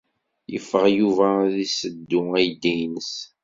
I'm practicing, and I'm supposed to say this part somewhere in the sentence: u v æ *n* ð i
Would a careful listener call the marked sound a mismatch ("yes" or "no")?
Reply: yes